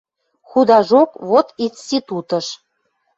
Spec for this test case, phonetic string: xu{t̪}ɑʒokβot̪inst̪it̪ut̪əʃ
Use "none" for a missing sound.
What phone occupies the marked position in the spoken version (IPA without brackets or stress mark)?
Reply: d̪